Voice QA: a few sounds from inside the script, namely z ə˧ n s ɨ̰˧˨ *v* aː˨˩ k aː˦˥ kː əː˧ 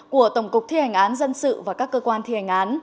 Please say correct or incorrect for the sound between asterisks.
correct